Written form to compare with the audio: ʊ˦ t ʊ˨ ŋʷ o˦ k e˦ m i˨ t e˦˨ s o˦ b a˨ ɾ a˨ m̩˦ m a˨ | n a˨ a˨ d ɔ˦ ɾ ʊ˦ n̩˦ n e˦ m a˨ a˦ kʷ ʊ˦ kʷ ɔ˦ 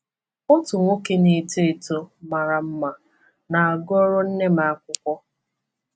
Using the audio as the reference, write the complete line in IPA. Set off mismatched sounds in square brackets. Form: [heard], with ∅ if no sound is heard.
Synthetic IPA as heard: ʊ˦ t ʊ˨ ŋʷ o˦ k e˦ [n] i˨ t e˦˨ [t] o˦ [m] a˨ ɾ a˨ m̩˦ m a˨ | n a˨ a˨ [ɡ] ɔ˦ ɾ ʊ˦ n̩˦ n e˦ m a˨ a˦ kʷ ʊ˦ kʷ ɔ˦